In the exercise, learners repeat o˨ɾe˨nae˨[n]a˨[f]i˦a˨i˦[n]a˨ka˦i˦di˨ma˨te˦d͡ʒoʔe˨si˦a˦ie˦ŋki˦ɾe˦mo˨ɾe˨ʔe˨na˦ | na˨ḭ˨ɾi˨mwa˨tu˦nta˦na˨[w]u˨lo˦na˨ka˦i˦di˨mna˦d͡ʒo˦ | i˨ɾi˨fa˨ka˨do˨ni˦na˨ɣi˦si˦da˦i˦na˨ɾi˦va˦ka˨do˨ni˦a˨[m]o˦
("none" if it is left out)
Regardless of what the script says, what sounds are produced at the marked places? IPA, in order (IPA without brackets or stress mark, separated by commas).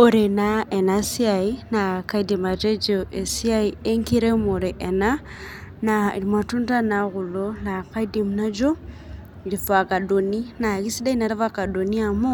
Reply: n, s, n, ɣ, m